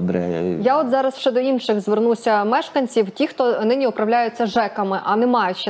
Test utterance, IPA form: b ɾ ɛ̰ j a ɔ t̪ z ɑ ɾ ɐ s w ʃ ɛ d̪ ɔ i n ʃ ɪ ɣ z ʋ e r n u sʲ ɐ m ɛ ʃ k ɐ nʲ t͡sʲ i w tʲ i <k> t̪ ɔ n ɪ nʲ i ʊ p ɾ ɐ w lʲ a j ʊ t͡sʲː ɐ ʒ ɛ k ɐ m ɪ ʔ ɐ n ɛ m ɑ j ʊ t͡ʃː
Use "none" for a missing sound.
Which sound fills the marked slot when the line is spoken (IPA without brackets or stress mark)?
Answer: x